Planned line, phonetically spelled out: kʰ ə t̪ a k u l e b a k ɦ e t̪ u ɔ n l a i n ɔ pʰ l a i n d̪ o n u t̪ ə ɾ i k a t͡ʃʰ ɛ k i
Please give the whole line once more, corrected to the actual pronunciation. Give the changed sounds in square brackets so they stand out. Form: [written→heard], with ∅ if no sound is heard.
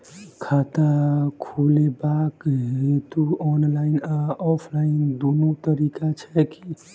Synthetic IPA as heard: kʰ [ə→a] t̪ a [k→kʰ] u l e b a k ɦ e t̪ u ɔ n l a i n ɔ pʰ l a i n d̪ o n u t̪ ə ɾ i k a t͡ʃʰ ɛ k i